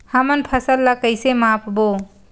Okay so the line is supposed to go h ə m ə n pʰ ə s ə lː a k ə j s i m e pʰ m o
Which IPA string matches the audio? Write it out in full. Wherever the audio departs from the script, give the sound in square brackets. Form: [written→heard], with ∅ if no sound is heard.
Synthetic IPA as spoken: h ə m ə n pʰ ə s ə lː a k ə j s [i→e] m [e→a] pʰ [m→b] o